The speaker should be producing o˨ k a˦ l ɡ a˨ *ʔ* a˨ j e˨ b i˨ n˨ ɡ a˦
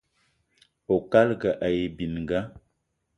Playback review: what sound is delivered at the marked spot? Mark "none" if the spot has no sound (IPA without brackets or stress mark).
ʔ